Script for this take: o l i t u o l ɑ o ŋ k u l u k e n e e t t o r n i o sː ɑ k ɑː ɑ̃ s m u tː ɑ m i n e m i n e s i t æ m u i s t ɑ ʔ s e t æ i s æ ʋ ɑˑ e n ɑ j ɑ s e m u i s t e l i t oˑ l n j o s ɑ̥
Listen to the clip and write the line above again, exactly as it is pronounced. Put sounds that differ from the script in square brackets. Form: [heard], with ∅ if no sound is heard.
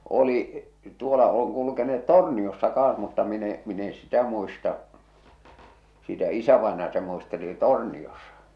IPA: o l i t u o l ɑ o ŋ k u l u k e n e e t t o r n i o sː ɑ k ɑː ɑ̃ s m u tː ɑ m i n e m i n e s i t æ m u i s t ɑ ʔ s [i] t æ i s æ ʋ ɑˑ e n ɑ j ɑ s e m u i s t e l i t oˑ [r] n [i] o s ɑ̥